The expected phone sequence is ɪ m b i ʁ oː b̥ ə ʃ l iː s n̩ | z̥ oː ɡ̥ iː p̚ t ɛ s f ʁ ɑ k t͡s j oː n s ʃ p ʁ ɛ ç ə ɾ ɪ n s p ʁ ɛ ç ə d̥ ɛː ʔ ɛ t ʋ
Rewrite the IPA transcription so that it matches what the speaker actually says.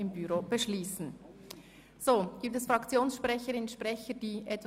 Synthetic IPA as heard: ɪ m b y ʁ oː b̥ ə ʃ l iː s n̩ | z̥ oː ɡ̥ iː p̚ t ɛ s f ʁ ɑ k t͡s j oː n s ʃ p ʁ ɛ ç ə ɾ ɪ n ʃ p ʁ ɛ ç ə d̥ iː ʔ ɛ t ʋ